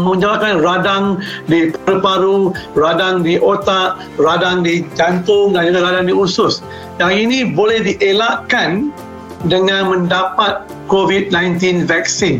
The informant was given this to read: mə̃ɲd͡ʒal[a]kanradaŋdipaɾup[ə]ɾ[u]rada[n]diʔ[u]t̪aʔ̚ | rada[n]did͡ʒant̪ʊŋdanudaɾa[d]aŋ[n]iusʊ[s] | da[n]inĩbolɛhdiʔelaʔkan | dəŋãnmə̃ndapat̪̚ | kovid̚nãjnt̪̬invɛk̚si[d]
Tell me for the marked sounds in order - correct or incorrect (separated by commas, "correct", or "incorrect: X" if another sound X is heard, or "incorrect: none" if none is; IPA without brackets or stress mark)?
correct, incorrect: a, correct, incorrect: ŋ, incorrect: o, incorrect: ŋ, correct, incorrect: d, correct, incorrect: ŋ, incorrect: n